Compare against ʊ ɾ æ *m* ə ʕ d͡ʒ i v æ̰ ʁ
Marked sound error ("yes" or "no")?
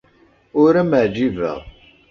no